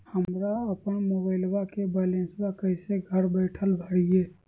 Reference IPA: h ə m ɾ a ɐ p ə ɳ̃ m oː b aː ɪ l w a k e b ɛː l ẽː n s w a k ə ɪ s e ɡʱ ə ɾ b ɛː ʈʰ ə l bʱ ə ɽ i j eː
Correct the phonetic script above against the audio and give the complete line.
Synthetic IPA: h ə m ɾ a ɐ p ə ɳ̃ m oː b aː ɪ l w a k e b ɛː l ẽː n s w a k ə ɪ s e ɡʱ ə ɾ b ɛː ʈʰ ə l bʱ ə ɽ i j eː